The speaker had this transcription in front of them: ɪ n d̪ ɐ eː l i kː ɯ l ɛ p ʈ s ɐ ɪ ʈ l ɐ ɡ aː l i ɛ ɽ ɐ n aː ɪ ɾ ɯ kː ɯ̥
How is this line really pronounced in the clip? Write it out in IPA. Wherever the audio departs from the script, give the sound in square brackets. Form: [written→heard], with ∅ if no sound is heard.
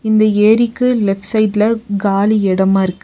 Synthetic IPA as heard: ɪ n d̪ ɐ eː [l→ɾ] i kː ɯ l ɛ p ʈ s ɐ ɪ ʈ l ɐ ɡ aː l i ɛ ɽ ɐ [n→m] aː ɪ ɾ ɯ kː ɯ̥

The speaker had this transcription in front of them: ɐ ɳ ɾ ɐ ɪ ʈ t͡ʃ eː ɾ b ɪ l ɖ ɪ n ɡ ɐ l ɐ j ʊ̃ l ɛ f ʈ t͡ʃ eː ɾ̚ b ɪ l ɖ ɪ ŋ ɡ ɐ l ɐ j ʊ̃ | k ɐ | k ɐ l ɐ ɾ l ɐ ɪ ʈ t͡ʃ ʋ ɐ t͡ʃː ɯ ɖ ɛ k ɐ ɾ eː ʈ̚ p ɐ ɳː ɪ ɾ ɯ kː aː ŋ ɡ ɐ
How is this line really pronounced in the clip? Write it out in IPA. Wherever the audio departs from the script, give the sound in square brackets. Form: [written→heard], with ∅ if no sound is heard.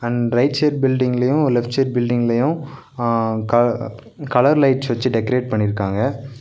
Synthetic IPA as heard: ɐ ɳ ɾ ɐ ɪ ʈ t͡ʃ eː ɾ b ɪ l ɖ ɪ [n→ŋ] ɡ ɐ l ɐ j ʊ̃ l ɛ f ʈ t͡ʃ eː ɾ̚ b ɪ l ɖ ɪ ŋ ɡ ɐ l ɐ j ʊ̃ | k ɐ | k ɐ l ɐ ɾ l ɐ ɪ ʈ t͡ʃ ʋ ɐ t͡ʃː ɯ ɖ ɛ k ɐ ɾ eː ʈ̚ p ɐ ɳː ɪ ɾ ɯ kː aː ŋ ɡ ɐ

